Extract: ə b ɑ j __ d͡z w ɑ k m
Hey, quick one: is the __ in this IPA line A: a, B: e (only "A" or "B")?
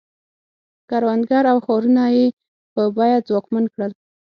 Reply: A